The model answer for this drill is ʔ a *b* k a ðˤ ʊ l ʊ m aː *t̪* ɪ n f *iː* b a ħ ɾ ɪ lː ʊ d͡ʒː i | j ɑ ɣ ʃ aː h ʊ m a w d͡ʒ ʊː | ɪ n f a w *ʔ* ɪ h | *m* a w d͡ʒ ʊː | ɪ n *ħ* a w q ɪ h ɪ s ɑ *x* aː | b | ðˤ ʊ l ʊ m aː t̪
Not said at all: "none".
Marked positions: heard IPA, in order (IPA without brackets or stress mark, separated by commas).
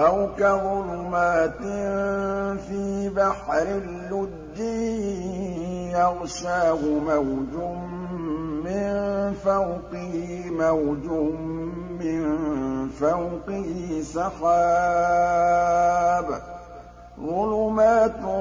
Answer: w, t̪, iː, q, m, f, x